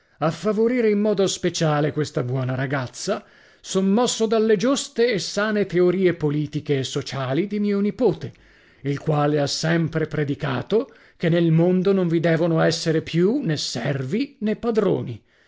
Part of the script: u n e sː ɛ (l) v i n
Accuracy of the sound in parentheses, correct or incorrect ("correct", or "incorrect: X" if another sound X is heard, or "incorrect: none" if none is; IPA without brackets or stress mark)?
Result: incorrect: r